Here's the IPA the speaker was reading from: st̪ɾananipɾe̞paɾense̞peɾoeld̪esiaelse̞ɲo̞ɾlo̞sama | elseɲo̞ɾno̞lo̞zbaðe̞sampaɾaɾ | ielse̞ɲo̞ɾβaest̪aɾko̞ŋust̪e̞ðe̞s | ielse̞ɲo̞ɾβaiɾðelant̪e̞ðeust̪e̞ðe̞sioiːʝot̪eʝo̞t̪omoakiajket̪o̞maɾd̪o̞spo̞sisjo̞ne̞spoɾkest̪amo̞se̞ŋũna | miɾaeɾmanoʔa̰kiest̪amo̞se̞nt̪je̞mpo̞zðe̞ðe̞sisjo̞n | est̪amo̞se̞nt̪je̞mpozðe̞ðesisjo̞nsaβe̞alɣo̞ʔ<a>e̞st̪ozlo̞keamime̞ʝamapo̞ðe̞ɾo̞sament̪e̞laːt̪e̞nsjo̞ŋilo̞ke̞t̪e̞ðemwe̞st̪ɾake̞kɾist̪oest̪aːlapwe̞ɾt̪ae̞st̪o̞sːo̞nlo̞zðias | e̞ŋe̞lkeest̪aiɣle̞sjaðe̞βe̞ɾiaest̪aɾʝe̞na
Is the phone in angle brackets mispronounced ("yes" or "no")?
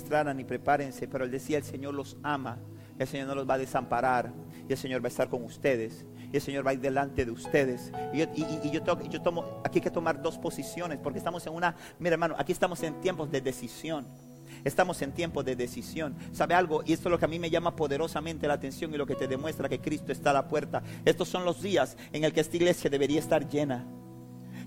yes